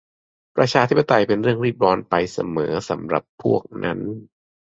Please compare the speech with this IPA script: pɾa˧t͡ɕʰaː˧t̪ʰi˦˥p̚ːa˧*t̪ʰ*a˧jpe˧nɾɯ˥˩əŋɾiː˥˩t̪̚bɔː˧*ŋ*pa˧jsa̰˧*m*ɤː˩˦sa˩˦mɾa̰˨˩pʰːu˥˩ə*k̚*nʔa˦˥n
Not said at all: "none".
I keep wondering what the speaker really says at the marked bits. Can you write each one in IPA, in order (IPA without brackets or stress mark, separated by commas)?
t̪, n, m, k̚